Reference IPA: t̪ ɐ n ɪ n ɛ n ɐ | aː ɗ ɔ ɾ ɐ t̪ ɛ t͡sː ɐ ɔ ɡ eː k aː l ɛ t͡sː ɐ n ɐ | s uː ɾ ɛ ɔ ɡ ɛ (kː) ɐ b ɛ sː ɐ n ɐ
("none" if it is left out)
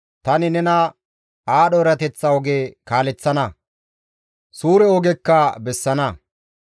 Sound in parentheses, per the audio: kː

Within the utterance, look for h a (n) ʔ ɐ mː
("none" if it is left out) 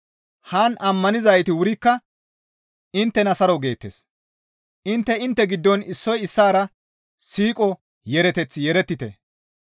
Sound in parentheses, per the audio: n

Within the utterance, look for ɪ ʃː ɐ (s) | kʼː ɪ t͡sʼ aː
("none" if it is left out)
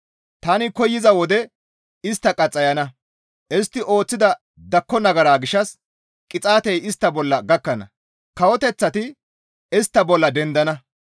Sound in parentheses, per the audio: s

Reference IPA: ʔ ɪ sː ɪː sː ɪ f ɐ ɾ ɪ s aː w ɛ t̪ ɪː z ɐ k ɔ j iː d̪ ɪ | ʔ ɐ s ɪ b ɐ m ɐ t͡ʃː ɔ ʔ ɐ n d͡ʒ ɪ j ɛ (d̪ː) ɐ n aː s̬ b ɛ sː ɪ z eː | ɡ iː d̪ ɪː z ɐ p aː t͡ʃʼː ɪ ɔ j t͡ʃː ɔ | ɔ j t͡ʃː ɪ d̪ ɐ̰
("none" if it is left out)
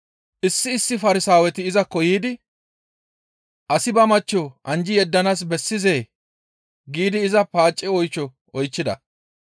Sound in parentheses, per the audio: d̪ː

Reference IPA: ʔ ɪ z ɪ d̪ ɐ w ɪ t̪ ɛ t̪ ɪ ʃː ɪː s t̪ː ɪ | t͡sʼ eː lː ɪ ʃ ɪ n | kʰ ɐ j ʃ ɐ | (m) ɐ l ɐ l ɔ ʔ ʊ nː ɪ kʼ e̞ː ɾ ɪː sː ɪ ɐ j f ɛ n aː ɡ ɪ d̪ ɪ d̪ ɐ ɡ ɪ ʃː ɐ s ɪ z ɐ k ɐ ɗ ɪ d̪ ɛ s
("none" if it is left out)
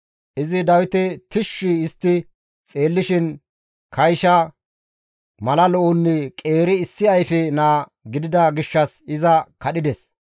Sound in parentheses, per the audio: m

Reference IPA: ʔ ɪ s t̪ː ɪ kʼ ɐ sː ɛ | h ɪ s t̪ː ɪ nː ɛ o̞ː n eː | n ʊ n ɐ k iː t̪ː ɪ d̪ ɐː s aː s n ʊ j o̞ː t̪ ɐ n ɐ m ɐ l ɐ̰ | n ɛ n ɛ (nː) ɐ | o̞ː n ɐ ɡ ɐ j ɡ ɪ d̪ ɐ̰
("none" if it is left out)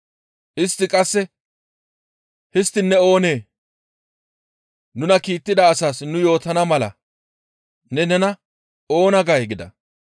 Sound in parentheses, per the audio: n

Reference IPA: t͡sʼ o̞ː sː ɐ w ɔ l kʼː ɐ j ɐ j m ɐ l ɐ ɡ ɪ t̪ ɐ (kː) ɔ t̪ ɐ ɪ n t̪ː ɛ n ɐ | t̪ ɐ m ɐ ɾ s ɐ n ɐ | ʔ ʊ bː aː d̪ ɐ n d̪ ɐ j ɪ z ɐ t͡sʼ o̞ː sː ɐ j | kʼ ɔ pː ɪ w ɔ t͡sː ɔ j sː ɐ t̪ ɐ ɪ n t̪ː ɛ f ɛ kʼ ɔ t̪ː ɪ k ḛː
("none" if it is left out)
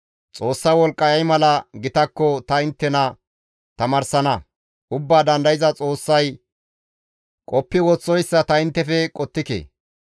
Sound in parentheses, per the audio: kː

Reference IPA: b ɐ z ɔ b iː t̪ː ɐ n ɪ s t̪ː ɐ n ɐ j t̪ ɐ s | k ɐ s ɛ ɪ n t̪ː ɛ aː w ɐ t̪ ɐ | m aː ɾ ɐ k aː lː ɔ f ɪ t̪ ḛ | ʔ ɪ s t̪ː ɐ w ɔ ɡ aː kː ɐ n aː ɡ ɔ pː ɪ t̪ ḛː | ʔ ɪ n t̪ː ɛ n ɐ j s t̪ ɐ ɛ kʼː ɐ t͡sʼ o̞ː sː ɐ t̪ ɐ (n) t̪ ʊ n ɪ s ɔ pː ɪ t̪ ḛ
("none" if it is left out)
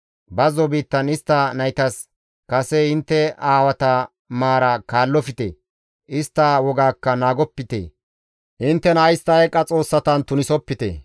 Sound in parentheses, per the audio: n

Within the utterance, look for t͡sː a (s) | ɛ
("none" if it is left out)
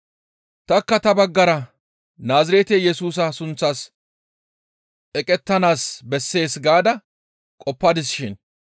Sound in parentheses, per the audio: s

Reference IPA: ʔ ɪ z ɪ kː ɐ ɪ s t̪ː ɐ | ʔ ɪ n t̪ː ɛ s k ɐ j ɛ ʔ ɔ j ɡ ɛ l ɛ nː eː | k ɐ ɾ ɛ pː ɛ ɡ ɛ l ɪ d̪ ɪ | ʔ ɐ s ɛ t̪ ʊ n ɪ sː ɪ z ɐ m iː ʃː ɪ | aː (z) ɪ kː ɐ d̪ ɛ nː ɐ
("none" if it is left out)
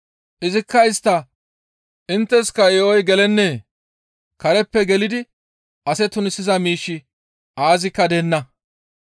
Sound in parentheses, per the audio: z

